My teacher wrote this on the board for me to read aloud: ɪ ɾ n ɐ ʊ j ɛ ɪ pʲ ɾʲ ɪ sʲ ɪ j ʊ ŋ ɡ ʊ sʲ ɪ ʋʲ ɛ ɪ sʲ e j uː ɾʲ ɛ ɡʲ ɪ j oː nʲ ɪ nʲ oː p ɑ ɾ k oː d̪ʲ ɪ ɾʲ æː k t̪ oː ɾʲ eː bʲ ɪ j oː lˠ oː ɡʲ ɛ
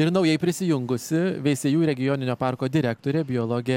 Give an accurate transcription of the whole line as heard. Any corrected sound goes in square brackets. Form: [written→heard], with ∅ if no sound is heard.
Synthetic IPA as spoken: ɪ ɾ n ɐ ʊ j ɛ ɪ pʲ ɾʲ ɪ sʲ ɪ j ʊ ŋ ɡ ʊ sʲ ɪ ʋʲ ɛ ɪ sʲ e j uː ɾʲ ɛ ɡʲ ɪ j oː nʲ ɪ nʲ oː p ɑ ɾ k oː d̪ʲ ɪ ɾʲ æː k t̪ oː ɾʲ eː bʲ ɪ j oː lˠ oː ɡʲ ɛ